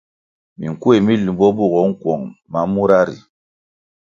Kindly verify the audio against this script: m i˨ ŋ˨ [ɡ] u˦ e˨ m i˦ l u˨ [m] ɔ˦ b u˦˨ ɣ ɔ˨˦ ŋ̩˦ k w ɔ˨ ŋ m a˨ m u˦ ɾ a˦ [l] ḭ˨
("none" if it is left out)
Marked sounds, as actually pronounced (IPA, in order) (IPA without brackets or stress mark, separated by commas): k, b, ɾ